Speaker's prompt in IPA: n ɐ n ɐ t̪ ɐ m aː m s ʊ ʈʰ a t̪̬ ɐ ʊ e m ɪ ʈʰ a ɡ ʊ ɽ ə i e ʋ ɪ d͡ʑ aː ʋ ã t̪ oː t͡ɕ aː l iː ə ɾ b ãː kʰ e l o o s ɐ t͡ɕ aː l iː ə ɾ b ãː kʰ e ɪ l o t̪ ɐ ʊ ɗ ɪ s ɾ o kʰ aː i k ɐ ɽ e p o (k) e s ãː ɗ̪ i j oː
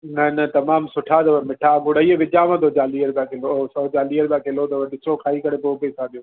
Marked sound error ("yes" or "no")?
yes